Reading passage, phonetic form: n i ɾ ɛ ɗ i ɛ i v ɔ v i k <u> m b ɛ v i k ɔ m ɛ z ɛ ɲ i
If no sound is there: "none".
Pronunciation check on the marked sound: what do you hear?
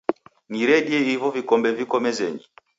ɔ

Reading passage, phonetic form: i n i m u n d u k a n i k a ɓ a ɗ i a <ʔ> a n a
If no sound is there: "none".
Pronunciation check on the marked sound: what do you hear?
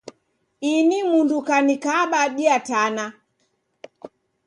t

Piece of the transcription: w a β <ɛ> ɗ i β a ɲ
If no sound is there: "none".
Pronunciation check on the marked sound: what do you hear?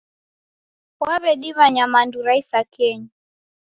ɛ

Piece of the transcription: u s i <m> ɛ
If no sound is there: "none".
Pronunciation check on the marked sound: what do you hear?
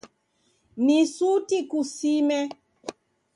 m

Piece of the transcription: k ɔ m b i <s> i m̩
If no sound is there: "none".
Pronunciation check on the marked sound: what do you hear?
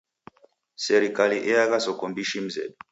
ʃ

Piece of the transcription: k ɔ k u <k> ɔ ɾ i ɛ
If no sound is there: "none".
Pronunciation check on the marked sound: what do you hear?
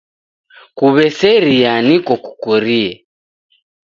k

